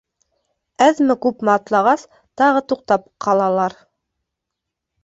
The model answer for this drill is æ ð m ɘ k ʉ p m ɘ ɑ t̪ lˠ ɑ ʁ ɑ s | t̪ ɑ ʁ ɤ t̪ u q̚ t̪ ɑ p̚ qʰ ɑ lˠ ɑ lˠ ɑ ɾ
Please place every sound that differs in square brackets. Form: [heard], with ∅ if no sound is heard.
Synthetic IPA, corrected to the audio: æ ð m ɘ k ʉ p m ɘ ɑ t̪ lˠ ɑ ʁ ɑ s | t̪ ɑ ʁ ɤ t̪ u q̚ t̪ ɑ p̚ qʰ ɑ lˠ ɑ lˠ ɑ ɾ